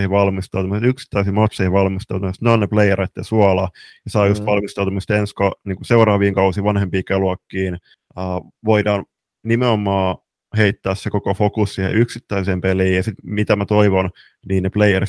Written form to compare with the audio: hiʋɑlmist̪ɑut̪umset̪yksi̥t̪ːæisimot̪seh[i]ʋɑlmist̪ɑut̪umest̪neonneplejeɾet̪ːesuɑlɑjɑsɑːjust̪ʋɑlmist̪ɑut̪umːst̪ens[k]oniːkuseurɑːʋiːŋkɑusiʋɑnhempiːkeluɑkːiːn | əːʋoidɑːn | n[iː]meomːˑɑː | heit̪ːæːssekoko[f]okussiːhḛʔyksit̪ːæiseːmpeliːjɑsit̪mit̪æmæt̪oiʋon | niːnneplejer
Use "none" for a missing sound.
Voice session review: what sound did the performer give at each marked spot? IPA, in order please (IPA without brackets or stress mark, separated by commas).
i, k, i, f